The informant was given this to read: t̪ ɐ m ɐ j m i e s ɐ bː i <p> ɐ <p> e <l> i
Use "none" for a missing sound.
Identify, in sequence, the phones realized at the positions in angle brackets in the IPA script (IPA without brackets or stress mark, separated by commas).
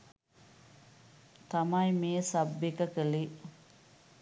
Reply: k, k, l